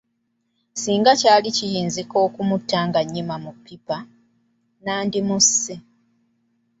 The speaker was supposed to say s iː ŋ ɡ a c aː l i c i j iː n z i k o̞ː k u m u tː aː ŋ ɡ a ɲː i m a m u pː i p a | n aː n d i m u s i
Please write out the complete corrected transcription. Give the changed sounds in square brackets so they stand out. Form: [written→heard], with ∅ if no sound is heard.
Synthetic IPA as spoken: s iː ŋ ɡ a c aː l i c i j iː n z i k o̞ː k u m u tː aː ŋ ɡ a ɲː i m a m u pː i p a | n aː n d i m u s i